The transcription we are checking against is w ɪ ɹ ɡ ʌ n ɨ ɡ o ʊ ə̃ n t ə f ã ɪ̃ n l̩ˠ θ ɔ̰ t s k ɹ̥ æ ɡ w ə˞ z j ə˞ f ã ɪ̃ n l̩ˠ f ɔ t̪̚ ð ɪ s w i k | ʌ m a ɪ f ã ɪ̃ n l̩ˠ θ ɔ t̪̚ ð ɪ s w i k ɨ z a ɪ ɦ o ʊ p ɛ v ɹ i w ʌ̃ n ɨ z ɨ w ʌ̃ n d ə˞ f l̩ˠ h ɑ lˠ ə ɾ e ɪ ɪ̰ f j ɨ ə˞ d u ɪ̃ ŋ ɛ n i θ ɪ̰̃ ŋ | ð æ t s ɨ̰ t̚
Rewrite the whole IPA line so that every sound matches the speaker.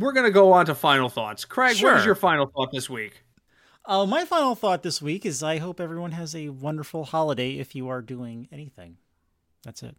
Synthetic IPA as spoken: w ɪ ɹ ɡ ʌ n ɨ ɡ o ʊ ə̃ n t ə f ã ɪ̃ n l̩ˠ θ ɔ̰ t s kʰ ɹ̥ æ ɡ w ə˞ z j ə˞ f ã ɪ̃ n l̩ˠ θ ɔ t̪̚ ð ɪ s w i k | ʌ m a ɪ f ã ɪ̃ n l̩ˠ θ ɔ t̪̚ ð ɪ s w i k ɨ z a ɪ ɦ o ʊ p ɛ v ɹ i w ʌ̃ n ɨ z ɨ w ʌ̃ n d ə˞ f l̩ˠ h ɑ lˠ ə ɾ e ɪ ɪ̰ f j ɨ ə˞ d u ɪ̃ ŋ ɛ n i θ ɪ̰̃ ŋ | ð æ t s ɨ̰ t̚